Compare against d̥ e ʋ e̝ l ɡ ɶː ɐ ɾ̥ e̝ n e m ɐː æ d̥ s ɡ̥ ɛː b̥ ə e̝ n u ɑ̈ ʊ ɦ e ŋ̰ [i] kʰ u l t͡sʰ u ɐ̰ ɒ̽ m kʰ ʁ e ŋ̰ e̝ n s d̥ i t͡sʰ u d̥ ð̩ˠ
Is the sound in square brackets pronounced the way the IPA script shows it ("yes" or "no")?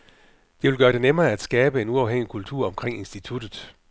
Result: yes